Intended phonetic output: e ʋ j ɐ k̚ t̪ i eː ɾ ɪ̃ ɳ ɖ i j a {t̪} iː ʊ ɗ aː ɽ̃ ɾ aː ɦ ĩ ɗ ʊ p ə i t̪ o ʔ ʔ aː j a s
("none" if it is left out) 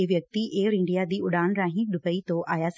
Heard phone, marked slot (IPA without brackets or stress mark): d̪